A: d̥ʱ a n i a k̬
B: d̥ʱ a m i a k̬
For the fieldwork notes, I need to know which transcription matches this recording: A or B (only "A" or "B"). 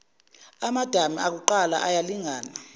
B